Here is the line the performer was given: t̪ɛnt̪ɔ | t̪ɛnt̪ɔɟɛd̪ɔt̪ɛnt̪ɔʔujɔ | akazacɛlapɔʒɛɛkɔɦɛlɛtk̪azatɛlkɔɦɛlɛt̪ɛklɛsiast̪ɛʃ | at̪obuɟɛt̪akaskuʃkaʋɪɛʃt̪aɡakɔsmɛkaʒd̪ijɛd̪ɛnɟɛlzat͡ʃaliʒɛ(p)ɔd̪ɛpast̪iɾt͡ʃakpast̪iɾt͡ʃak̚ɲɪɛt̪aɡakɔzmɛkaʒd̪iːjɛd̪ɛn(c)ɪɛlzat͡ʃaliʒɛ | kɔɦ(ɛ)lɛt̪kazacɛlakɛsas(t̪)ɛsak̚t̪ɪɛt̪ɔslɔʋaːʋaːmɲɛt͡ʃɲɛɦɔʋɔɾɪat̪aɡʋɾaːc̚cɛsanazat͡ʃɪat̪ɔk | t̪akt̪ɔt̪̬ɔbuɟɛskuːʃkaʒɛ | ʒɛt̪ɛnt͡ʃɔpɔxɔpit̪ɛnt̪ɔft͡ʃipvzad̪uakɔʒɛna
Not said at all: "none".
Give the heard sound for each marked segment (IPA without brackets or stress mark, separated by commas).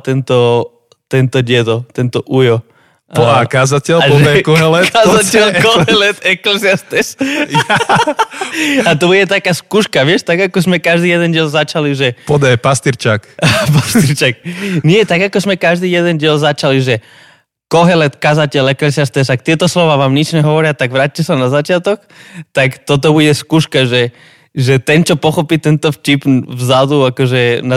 p, ɟ, ɛ, t̪